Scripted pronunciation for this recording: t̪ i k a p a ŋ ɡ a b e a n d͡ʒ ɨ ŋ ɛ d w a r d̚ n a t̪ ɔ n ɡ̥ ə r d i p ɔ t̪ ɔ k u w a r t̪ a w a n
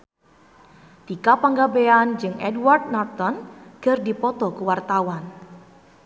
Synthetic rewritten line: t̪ i k a p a ŋ ɡ a b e a n d͡ʒ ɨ ŋ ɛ d w a r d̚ n a t̪ ɔ n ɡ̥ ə r d i p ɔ t̪ ɔ k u w a r t̪ a w a n